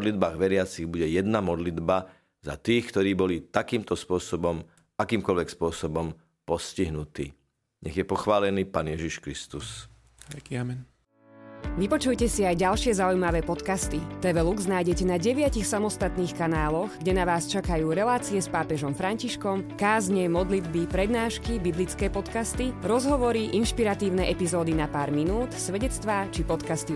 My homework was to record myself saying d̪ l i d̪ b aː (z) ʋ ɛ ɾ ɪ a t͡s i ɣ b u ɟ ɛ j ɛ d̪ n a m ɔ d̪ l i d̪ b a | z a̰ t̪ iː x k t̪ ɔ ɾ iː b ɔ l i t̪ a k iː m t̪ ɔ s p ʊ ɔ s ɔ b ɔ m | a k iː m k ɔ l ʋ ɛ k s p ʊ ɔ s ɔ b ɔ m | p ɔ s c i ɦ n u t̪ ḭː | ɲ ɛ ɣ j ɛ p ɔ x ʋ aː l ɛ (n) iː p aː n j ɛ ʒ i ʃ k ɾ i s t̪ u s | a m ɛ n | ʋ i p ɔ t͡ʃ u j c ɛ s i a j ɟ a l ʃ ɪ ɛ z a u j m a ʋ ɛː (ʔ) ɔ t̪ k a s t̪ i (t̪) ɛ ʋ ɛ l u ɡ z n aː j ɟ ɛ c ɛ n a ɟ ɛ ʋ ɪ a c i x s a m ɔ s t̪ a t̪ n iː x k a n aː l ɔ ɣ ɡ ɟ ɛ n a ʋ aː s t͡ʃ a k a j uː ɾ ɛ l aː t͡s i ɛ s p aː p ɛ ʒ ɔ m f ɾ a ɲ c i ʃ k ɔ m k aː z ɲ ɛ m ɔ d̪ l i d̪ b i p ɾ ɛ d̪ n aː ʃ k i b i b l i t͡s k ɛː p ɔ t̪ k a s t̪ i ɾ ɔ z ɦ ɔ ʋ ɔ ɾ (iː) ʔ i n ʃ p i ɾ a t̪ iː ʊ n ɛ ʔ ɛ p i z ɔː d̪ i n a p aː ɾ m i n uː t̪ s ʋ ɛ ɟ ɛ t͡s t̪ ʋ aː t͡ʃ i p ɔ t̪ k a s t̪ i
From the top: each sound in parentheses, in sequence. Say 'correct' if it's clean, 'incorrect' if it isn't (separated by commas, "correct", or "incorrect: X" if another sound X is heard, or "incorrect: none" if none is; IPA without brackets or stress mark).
incorrect: ɣ, correct, incorrect: p, correct, incorrect: i